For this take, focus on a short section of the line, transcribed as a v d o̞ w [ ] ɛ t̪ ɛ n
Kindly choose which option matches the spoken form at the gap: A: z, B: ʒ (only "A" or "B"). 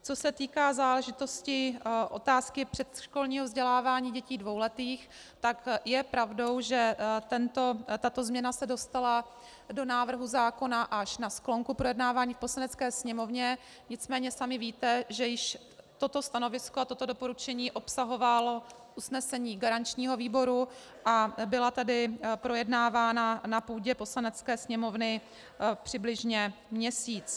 B